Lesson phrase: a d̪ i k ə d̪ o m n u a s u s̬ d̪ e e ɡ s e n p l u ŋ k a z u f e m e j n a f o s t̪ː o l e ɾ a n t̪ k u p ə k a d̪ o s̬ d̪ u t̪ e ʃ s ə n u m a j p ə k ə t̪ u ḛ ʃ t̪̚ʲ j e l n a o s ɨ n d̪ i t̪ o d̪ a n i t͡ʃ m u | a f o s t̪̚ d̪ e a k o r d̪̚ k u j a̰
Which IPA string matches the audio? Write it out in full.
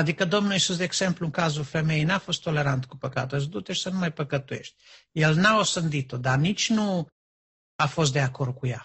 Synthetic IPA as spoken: a d̪ i k ə d̪ o m n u i s u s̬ d̪ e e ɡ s e m p l u ŋ k a z u f e m e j n a f o s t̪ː o l e ɾ a n t̪ k u p ə k a t̪ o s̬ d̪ u t̪ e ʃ s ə n u m a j p ə k ə t̪ u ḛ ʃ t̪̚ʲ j e l n a o s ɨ n d̪ i t̪ o d̪ a n i t͡ʃ n u | a f o s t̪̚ d̪ e a k o r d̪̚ k u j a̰